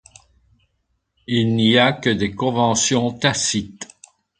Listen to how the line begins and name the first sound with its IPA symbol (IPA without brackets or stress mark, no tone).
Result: i